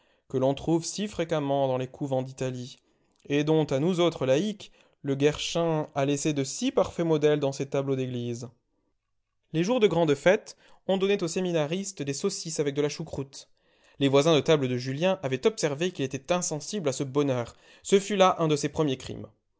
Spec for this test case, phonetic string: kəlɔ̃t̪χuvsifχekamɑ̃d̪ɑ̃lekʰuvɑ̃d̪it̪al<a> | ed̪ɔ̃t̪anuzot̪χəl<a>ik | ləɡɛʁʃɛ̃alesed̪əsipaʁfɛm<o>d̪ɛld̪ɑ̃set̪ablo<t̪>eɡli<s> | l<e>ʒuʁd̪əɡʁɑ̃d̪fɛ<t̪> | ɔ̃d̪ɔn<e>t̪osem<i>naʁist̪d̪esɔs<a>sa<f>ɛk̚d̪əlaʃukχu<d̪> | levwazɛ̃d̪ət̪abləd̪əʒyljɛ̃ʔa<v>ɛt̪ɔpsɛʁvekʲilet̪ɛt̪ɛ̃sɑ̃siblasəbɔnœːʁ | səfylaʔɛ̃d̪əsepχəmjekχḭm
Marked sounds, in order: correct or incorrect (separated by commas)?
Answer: incorrect, correct, incorrect, incorrect, incorrect, correct, correct, correct, correct, incorrect, incorrect, incorrect, correct